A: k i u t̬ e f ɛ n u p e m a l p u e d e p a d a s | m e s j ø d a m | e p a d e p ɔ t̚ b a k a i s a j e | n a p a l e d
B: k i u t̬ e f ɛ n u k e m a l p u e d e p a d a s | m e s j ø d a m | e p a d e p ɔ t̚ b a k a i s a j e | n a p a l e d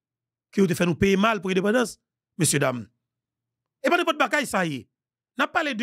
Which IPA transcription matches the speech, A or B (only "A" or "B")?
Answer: A